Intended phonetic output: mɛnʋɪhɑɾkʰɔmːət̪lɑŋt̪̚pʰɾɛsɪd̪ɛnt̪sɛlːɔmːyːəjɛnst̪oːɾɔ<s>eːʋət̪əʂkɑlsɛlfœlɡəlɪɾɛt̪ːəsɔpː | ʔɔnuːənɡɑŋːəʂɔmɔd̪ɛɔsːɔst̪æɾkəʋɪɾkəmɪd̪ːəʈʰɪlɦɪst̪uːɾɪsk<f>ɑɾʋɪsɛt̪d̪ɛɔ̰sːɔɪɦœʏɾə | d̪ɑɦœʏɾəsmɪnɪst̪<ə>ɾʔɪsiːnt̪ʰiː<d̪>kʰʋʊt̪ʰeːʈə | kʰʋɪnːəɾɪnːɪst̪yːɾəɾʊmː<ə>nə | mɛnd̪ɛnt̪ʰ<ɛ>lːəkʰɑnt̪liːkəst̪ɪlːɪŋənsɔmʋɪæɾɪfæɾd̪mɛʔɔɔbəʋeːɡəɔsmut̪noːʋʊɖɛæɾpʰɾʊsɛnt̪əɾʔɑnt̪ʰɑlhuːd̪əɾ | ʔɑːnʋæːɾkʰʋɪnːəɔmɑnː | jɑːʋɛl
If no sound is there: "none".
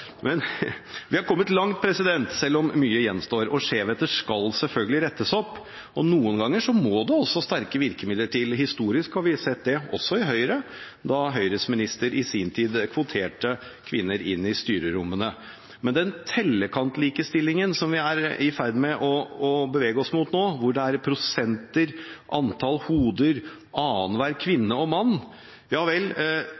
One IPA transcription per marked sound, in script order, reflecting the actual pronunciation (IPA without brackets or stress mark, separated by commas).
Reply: ʂ, h, ə, d̪, ə, ɛ